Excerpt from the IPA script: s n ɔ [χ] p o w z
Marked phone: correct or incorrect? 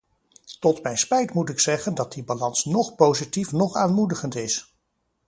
correct